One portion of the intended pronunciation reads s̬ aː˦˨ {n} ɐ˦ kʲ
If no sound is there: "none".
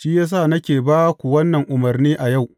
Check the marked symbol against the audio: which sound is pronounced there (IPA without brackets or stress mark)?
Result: n